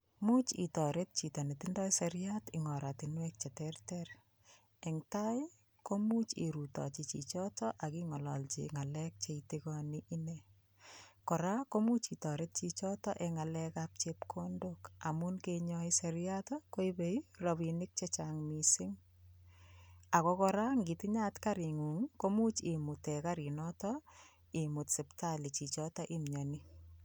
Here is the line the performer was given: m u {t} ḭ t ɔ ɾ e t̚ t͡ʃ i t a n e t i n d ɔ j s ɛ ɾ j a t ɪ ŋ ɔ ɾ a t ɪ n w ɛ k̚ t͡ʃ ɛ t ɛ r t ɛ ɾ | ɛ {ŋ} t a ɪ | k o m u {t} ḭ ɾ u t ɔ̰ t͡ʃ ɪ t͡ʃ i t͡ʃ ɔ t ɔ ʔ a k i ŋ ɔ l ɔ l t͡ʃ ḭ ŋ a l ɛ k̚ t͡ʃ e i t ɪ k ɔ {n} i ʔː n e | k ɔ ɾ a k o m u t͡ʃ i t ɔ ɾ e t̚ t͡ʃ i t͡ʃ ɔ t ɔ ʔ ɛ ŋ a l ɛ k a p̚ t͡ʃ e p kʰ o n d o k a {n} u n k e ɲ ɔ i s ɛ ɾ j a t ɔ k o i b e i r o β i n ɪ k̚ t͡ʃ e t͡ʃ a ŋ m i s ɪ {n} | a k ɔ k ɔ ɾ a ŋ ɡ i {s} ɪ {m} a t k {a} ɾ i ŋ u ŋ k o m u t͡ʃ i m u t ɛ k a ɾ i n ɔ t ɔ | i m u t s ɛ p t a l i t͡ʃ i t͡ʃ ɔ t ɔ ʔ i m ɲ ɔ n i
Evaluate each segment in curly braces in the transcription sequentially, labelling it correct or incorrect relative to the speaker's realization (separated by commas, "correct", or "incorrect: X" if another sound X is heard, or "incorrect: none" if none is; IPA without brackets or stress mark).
incorrect: t͡ʃ, correct, incorrect: t͡ʃ, correct, incorrect: m, incorrect: ŋ, incorrect: t, incorrect: ɲ, correct